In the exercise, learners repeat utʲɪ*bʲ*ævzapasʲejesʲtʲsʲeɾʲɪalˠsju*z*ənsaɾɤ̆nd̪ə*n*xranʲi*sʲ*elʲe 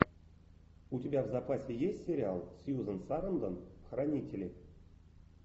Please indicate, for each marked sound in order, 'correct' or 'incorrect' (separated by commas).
correct, correct, correct, incorrect